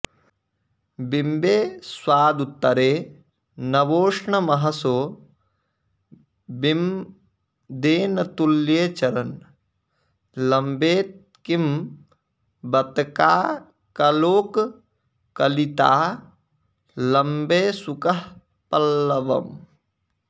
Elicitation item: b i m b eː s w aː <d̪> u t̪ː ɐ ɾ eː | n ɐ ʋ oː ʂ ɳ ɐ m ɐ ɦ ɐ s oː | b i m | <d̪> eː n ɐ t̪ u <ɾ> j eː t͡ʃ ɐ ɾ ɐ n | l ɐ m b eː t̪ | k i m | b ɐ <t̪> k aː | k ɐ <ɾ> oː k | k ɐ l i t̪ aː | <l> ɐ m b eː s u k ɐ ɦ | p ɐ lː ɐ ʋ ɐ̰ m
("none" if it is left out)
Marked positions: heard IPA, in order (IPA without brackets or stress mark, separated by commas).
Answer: d̪, d̪, l, t̪, l, l